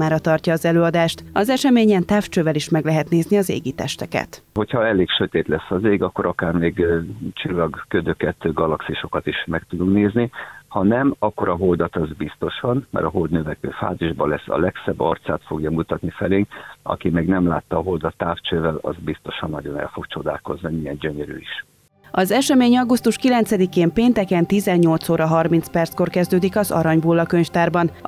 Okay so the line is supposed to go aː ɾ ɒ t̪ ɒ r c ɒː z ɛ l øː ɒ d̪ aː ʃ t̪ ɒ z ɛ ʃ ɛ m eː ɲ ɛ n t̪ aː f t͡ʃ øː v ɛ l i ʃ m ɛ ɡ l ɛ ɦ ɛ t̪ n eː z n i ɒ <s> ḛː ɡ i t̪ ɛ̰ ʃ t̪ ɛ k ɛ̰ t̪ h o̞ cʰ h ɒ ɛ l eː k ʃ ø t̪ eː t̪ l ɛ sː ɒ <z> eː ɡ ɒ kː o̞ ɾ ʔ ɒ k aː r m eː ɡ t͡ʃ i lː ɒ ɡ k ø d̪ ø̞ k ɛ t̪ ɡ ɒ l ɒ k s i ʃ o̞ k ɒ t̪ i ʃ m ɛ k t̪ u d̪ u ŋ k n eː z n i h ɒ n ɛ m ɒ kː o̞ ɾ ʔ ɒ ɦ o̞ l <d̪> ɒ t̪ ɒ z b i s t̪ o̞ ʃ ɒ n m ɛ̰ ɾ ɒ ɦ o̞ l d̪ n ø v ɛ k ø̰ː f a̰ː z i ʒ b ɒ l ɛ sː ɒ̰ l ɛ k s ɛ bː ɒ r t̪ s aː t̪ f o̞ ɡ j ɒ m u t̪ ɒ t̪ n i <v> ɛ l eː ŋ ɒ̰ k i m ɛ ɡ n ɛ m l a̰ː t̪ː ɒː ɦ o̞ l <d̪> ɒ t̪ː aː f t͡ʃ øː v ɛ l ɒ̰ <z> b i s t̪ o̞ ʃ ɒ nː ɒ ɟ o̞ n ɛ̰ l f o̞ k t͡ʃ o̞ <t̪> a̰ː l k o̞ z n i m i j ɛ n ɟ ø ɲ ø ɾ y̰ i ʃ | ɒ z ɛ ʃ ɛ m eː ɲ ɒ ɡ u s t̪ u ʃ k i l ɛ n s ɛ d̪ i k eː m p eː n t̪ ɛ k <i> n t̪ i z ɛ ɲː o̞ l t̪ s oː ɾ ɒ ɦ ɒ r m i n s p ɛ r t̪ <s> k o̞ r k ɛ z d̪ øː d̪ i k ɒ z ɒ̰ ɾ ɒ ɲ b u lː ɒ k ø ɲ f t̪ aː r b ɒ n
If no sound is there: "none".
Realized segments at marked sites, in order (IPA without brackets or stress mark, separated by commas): z, z, d̪, f, d̪, z, d̪, ɛ, s